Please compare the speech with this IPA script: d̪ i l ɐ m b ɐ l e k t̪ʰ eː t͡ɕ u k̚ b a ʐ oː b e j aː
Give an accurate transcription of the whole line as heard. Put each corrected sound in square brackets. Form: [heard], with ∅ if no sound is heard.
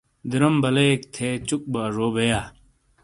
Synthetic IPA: d̪ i [ɾ] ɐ m b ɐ l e k t̪ʰ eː t͡ɕ u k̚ b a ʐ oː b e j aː

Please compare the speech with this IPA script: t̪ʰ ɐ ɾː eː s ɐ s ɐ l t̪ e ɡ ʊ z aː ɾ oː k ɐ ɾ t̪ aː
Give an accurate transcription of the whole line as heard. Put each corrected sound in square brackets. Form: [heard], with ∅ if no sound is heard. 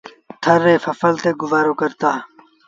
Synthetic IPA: t̪ʰ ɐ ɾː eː [f] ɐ [f] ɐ l t̪ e ɡ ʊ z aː ɾ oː k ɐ ɾ t̪ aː

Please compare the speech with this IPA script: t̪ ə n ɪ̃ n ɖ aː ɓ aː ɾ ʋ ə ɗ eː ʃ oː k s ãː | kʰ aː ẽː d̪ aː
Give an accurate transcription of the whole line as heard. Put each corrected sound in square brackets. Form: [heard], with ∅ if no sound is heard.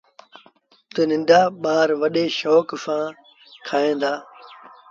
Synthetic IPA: t̪ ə n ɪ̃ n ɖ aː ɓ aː ɾ ʋ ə ɗ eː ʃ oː k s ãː | kʰ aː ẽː d̪ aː

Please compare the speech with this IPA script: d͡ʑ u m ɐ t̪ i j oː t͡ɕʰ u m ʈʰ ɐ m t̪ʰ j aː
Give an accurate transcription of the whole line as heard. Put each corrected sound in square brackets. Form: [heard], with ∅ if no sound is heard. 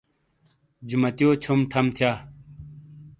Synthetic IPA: d͡ʑ u m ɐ t̪ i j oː t͡ɕʰ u m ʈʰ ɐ m t̪ʰ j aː

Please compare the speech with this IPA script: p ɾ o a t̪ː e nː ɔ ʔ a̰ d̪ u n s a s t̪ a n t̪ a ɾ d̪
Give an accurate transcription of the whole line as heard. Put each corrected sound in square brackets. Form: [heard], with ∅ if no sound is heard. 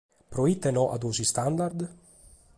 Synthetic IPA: p ɾ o [i] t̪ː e [n] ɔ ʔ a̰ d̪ u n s [i] s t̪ a n [d̪] a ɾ d̪

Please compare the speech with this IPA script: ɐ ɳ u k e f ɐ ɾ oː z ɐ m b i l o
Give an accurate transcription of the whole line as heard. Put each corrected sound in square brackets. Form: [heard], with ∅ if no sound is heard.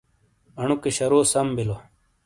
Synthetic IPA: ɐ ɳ u k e [ɕ] ɐ ɾ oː [s] ɐ m b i l o

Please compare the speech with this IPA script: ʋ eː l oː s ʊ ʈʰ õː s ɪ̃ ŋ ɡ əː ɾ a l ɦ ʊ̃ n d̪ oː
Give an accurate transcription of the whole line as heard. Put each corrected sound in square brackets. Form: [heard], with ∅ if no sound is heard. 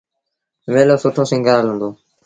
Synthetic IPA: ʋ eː l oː s ʊ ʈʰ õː s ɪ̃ ŋ ɡ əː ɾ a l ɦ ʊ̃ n d̪ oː

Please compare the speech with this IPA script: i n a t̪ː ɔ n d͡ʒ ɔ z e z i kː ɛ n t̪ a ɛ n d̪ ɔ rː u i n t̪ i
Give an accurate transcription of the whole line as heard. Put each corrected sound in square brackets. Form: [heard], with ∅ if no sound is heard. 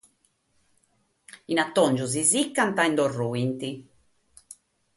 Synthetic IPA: i n a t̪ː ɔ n d͡ʒ [u] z [i] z i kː [a] n t̪ a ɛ n d̪ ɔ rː u i n t̪ i

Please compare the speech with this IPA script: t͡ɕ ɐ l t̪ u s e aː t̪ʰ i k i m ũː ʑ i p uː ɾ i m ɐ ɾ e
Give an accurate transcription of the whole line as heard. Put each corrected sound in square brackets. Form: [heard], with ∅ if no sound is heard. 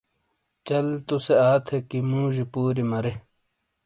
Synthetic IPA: t͡ɕ ɐ l t̪ u s e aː t̪ʰ [e] k i m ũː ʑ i p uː ɾ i m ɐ ɾ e

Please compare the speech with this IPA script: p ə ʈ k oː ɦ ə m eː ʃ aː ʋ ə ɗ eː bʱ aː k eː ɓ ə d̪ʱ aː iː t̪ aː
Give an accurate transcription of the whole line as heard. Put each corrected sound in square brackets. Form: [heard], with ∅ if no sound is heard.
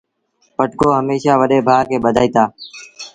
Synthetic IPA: p ə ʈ k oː ɦ ə m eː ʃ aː ʋ ə ɗ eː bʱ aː k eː ɓ ə d̪ʱ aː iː t̪ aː

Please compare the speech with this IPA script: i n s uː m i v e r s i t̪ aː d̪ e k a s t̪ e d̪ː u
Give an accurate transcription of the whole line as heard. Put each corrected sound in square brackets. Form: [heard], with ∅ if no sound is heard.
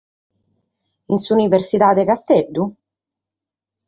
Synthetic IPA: i n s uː [n] i v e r s i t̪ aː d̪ e k a s t̪ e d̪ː u

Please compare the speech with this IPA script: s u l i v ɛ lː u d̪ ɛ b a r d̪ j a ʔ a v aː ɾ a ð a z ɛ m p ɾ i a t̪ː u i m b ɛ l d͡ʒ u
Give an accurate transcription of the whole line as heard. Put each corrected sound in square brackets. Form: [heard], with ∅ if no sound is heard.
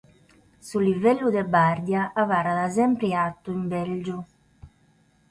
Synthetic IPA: s u l i v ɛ lː u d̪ ɛ b a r d̪ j a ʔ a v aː ɾ a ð a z ɛ m p ɾ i a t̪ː u i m b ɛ l d͡ʒ u

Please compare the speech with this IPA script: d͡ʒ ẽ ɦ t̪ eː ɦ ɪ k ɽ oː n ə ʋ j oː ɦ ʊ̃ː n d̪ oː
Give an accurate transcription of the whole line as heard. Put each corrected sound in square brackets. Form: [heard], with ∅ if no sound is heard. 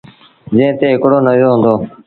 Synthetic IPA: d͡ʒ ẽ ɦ t̪ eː ɦ ɪ k ɽ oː n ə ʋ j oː ɦ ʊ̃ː n d̪ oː

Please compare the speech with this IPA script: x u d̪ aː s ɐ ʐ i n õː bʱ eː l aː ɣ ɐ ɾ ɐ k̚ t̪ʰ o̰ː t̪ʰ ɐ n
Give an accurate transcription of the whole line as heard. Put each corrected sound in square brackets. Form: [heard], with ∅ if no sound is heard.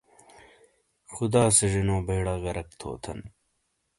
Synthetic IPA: x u d̪ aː s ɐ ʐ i n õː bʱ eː [ɽ] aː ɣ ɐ ɾ ɐ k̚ t̪ʰ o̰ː t̪ʰ ɐ n

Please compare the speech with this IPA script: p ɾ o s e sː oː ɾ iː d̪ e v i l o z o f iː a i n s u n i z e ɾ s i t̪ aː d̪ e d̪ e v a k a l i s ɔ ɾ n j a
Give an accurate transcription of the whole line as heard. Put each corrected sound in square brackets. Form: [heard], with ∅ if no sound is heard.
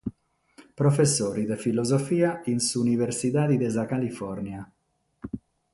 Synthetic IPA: p ɾ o [f] e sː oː ɾ [i] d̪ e [f] i l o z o f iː a i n s u n i [v] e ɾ s i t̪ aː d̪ [i] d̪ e [z] a k a l i [f] ɔ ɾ n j a

